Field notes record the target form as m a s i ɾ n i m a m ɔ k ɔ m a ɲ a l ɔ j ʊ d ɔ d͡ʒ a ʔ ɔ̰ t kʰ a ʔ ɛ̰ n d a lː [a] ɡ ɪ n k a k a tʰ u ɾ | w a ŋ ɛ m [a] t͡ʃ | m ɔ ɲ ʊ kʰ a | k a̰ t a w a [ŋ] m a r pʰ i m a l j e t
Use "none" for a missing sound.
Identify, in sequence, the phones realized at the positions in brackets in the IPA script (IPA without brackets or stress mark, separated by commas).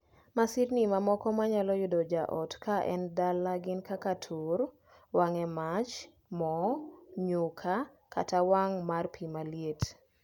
a, a, ŋ